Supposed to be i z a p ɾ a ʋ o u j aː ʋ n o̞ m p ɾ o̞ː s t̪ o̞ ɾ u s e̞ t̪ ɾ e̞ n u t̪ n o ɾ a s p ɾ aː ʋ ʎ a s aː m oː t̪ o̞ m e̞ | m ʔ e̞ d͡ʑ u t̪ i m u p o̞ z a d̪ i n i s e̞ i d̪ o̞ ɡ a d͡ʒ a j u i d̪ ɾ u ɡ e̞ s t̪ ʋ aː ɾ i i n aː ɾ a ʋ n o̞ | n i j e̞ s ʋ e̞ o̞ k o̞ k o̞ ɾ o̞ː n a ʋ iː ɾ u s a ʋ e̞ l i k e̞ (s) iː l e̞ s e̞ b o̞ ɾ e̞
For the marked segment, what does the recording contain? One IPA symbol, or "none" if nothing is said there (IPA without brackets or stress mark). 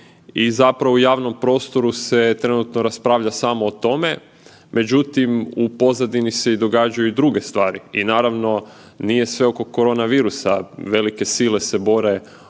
s